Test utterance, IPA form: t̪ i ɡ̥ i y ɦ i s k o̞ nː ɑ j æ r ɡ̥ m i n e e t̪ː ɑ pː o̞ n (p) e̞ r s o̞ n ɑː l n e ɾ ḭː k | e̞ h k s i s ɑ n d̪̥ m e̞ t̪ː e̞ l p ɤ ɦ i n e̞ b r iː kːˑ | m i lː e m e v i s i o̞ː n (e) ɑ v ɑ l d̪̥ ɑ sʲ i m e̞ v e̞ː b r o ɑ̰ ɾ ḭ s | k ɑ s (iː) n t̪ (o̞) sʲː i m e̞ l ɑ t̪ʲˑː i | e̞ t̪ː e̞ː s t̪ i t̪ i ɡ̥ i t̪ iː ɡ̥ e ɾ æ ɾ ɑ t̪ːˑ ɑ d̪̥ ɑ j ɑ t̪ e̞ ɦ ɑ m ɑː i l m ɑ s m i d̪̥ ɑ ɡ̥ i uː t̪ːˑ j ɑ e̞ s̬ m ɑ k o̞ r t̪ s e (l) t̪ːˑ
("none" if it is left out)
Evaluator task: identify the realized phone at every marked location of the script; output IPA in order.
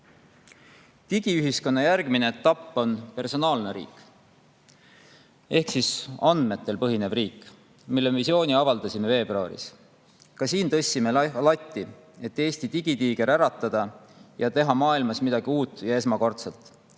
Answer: p, i, iː, ɤ̞, l

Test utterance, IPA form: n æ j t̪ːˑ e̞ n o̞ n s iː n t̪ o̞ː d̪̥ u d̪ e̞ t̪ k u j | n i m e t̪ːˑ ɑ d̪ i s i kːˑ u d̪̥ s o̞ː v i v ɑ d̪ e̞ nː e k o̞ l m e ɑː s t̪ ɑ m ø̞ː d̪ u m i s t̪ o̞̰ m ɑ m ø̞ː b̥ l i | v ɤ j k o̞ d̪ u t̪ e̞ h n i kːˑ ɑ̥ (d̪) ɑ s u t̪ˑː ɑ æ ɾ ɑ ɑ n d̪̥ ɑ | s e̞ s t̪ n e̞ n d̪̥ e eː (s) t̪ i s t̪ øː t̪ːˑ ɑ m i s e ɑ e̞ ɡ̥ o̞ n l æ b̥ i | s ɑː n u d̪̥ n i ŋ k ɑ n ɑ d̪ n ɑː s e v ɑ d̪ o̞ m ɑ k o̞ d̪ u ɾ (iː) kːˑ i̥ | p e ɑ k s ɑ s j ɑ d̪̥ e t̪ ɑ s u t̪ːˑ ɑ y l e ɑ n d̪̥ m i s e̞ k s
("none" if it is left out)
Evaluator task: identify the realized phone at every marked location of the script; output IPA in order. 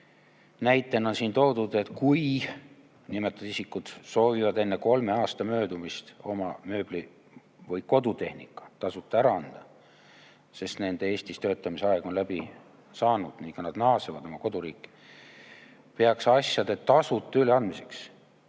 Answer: t̪, s, iː

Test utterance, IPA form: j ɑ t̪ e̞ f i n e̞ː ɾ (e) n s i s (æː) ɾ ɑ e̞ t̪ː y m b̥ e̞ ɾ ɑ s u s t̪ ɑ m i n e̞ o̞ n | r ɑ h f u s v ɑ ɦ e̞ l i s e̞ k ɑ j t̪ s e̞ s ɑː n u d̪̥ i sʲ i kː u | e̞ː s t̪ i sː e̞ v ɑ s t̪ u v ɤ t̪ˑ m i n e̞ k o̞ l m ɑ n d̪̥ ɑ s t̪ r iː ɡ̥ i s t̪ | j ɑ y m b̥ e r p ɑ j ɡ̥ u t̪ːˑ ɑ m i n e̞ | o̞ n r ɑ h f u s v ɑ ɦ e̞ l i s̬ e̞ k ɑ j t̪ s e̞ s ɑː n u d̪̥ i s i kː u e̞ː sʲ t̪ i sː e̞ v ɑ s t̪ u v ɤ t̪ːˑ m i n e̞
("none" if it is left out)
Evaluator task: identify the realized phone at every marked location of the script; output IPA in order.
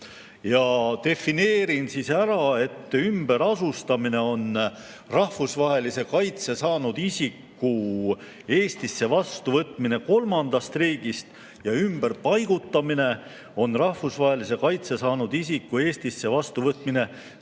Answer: i, æ

